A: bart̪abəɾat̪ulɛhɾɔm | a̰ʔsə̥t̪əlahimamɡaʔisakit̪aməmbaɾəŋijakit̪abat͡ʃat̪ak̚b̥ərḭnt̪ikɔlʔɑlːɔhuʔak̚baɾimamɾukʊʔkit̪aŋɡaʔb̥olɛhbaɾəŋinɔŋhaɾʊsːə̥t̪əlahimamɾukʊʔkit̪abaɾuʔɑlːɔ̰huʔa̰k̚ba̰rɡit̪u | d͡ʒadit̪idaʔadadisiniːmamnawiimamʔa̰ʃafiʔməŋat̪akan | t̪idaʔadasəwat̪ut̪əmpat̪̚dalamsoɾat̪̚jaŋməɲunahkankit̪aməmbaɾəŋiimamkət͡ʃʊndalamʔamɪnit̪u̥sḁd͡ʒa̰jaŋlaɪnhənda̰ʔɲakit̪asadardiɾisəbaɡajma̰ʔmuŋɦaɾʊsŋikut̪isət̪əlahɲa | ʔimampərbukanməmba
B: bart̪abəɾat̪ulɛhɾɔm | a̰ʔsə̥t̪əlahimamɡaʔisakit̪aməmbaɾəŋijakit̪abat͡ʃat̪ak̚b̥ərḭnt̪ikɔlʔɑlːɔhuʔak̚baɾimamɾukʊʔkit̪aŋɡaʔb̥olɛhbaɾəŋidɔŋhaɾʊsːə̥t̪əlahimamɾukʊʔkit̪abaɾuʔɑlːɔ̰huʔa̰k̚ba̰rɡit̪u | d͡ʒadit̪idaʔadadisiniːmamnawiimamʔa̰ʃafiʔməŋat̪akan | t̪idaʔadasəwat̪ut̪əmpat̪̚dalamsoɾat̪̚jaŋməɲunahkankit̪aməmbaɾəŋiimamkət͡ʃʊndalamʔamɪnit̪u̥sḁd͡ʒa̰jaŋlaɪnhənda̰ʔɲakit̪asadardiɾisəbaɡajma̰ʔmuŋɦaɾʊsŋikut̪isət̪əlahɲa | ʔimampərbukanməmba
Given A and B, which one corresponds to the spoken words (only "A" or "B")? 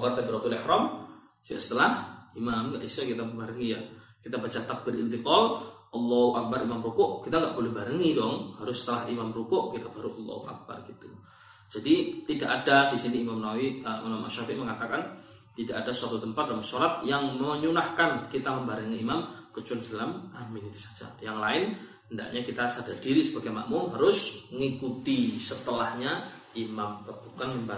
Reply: B